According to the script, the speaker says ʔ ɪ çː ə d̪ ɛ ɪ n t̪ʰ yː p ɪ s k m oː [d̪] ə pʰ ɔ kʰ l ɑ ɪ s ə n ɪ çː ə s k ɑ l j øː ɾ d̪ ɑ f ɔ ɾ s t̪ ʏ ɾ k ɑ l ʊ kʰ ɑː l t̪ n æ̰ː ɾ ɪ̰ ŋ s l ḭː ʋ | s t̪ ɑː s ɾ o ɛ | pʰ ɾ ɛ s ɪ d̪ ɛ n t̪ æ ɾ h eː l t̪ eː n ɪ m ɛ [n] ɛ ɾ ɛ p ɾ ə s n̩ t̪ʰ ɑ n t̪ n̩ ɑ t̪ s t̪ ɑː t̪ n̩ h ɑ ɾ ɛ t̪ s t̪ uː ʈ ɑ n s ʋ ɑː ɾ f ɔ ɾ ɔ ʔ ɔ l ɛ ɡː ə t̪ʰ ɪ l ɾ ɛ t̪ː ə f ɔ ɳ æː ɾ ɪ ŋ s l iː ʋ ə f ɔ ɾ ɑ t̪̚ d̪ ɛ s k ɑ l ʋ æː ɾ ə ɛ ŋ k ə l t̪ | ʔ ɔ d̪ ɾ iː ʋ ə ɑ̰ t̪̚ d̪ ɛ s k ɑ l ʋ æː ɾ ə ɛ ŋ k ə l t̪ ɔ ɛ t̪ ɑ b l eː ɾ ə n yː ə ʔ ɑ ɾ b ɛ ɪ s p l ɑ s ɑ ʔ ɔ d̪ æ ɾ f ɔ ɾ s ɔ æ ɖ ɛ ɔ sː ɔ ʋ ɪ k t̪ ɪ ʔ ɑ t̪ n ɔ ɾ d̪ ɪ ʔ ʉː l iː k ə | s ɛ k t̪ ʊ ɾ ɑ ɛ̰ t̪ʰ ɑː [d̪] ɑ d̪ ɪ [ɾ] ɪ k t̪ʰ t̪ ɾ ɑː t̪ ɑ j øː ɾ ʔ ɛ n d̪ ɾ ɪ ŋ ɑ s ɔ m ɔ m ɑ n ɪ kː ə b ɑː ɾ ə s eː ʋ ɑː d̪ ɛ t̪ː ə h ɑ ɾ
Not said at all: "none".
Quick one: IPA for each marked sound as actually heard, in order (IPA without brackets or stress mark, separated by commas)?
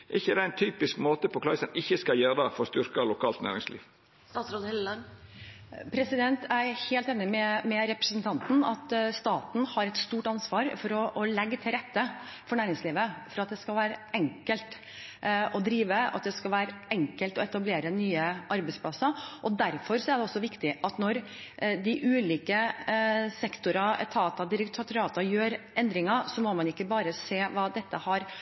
t̪, m, t̪, ɾ